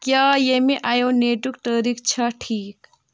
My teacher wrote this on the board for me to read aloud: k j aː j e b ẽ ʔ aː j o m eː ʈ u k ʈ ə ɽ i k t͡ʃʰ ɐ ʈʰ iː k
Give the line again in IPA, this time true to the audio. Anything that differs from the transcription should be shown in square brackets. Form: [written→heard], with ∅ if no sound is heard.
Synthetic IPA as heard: k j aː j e [b→m] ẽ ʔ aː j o [m→n] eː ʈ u k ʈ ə [ɽ→ɾ] i k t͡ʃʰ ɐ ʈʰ iː k